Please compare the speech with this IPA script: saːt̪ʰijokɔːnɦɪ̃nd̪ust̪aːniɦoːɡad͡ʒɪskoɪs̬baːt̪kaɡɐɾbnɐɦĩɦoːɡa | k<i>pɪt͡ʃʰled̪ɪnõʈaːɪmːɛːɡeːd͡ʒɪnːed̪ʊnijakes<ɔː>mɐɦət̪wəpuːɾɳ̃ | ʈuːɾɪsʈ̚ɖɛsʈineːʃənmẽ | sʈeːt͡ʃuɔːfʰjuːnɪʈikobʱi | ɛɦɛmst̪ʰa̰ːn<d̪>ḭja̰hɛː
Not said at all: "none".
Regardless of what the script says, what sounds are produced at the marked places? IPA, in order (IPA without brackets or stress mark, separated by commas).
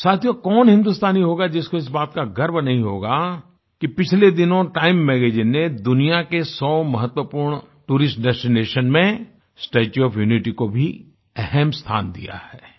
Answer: i, ɔː, d̪